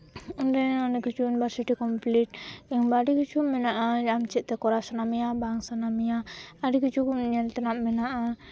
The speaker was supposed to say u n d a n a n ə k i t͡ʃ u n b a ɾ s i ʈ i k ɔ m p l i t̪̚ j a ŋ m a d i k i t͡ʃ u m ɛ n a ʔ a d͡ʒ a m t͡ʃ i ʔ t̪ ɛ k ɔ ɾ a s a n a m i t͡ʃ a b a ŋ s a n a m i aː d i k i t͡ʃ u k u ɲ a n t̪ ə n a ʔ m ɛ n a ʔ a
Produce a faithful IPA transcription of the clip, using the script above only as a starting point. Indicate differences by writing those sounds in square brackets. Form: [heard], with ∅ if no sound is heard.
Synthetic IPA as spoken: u n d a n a n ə k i t͡ʃ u n b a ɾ s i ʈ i k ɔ m p l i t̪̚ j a ŋ [b] a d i k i t͡ʃ u m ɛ n a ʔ a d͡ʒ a m t͡ʃ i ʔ t̪ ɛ k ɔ ɾ a s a n a m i [∅] a b a ŋ s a n a m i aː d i k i t͡ʃ u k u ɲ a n t̪ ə n a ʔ m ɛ n a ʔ a

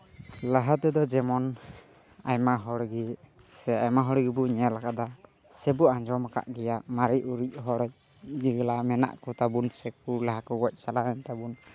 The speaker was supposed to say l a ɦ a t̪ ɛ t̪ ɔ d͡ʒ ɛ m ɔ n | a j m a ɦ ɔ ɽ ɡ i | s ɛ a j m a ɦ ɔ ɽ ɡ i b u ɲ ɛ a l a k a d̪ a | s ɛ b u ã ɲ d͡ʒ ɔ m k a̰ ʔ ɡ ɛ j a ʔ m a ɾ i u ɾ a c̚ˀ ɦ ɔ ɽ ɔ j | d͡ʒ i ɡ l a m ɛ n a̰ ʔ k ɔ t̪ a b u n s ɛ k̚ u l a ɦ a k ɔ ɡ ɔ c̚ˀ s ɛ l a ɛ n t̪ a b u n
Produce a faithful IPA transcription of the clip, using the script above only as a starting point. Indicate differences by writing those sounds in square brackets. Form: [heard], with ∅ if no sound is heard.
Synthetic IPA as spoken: l a ɦ a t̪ ɛ [d̪] ɔ d͡ʒ ɛ m ɔ n | a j m a ɦ ɔ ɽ ɡ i | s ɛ a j m a ɦ ɔ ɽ ɡ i b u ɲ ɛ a l a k a d̪ a | s ɛ b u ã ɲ d͡ʒ ɔ m k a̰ ʔ ɡ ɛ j a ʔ m a ɾ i u ɾ [i] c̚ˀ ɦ ɔ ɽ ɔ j | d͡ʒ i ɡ l a m ɛ n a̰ ʔ k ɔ t̪ a b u n s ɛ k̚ u l a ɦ a k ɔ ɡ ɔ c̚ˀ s [a] l a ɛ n t̪ a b u n

